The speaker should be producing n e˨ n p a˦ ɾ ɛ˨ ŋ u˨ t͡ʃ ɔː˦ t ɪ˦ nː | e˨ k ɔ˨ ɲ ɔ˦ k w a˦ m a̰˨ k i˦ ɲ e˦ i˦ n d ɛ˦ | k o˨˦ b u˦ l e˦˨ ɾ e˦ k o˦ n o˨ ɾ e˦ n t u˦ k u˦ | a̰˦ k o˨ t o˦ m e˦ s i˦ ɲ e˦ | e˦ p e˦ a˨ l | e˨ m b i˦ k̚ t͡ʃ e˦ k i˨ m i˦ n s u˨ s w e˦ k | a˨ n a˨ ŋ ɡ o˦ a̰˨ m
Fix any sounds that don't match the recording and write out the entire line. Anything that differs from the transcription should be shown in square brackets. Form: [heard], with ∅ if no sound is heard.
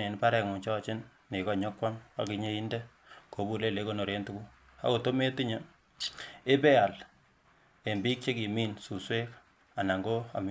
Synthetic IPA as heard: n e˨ n p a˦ ɾ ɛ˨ ŋ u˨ t͡ʃ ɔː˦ [t͡ʃ] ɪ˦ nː | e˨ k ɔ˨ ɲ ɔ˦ k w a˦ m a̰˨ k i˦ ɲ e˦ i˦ n d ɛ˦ | k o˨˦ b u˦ l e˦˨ [l] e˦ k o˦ n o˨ ɾ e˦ n t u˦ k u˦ | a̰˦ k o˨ t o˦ m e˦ [t] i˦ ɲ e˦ | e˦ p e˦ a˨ l | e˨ m b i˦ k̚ t͡ʃ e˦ k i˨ m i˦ n s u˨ s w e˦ k | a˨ n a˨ ŋ ɡ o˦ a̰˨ m